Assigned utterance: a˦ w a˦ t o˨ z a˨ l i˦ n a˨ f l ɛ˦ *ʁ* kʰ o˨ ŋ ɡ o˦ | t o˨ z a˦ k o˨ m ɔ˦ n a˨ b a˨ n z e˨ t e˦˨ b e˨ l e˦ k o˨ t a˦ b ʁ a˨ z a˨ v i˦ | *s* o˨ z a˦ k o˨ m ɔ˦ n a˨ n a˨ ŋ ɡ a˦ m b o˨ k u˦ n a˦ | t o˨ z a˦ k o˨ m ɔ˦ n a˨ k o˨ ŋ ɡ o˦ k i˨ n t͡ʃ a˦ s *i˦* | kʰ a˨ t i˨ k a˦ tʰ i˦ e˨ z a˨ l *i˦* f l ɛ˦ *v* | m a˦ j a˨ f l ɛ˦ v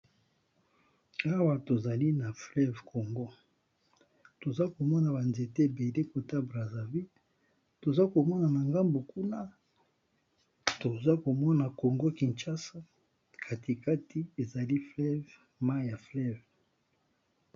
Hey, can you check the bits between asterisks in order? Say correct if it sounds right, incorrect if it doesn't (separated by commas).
incorrect, incorrect, incorrect, correct, correct